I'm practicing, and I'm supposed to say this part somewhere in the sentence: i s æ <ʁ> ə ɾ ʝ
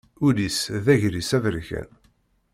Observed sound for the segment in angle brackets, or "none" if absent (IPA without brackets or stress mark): v